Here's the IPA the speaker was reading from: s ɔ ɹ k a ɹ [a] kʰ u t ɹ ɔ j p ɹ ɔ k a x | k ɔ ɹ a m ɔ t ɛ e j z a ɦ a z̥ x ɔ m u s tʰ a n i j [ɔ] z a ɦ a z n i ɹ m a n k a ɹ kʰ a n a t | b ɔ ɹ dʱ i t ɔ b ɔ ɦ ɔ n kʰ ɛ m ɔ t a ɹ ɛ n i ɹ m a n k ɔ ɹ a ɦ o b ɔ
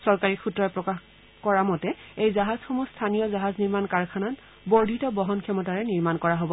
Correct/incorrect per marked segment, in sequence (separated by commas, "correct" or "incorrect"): incorrect, correct